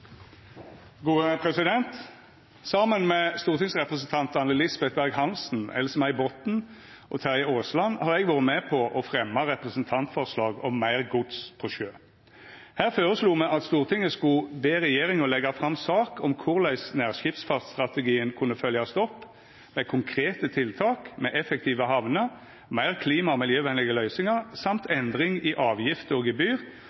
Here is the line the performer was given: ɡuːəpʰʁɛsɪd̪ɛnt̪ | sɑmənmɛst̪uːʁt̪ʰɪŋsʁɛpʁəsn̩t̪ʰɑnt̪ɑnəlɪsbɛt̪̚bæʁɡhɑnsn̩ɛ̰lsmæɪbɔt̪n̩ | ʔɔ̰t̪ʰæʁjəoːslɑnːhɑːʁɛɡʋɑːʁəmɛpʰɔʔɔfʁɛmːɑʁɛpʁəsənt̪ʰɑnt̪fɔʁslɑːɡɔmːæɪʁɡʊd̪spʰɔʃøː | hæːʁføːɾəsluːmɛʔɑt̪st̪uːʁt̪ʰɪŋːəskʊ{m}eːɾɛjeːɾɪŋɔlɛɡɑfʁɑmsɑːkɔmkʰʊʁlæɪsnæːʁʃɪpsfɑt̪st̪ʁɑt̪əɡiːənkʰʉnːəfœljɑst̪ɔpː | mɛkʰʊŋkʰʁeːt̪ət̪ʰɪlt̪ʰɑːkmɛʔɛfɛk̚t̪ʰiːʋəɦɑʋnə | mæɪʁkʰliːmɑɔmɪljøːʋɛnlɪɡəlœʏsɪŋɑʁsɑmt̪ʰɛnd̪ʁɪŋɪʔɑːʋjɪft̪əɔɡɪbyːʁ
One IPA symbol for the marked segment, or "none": b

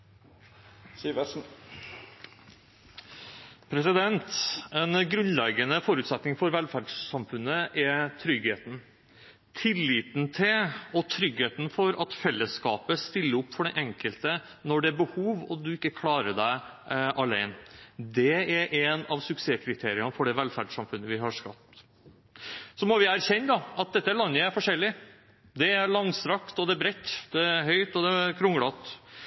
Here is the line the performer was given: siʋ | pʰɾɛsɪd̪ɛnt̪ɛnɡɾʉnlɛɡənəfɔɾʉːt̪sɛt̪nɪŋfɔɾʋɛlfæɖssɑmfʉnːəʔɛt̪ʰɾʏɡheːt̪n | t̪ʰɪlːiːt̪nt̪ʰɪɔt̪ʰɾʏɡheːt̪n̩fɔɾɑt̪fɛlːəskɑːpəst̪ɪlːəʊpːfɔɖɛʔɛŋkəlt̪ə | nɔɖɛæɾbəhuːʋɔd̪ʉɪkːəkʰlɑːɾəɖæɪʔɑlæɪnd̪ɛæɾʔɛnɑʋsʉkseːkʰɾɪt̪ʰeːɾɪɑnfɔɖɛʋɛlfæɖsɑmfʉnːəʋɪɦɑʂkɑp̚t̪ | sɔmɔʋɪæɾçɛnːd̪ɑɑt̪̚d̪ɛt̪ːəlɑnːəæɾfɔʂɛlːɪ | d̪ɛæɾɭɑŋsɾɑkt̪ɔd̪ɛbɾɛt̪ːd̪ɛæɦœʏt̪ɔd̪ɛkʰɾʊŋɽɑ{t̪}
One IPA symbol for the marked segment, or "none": t̪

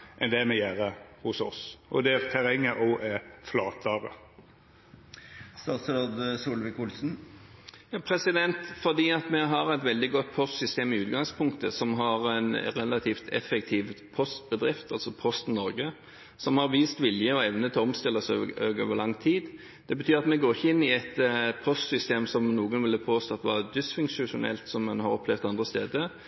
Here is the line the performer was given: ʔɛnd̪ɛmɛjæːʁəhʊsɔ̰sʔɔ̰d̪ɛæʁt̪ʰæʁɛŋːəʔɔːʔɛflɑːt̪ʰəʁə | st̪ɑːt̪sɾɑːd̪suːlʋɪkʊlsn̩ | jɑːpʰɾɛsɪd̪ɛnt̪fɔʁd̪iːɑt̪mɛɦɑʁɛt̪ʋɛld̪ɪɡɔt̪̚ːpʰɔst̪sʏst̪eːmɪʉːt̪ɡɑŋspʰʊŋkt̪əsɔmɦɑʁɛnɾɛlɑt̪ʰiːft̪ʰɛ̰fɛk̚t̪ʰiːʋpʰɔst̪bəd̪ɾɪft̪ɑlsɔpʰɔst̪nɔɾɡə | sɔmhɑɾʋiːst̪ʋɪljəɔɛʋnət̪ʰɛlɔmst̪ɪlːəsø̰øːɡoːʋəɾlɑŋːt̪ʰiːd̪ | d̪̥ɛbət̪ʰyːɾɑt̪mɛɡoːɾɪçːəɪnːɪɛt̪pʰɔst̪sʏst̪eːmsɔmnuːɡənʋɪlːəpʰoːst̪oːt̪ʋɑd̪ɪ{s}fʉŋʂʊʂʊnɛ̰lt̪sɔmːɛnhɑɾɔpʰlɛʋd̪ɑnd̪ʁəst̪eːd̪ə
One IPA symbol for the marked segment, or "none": s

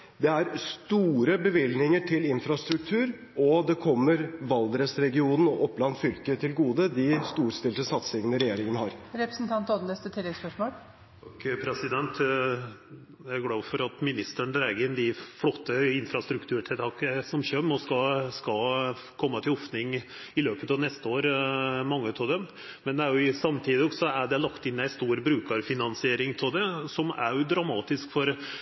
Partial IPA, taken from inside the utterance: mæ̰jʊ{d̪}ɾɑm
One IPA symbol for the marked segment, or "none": d̪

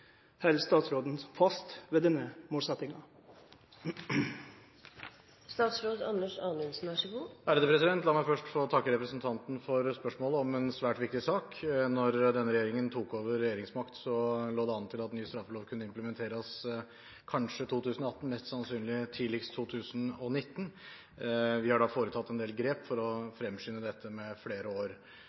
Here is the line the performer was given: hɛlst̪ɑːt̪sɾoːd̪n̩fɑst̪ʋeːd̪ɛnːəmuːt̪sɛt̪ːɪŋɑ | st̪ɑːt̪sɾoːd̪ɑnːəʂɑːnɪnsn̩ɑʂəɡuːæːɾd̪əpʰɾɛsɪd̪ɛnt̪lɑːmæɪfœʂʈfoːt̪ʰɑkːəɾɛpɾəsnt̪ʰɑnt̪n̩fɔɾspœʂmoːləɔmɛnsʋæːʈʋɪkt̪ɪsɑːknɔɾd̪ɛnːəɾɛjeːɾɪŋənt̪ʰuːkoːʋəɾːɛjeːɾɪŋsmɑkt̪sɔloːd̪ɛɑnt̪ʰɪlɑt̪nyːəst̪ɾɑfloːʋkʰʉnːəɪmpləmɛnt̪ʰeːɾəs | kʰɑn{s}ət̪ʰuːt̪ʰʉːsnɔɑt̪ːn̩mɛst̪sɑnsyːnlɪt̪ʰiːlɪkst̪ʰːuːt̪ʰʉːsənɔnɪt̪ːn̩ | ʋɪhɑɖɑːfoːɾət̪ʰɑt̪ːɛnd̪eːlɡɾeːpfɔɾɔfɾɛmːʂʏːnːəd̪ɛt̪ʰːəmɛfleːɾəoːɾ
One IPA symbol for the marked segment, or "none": ʂ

